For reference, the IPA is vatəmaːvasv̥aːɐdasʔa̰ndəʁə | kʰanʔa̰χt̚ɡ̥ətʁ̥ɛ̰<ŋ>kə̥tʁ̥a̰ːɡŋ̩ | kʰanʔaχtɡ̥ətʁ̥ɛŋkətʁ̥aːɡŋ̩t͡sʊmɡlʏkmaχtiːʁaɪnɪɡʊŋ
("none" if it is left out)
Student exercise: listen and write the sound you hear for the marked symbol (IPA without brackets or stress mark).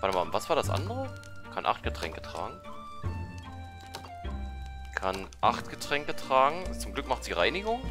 ŋ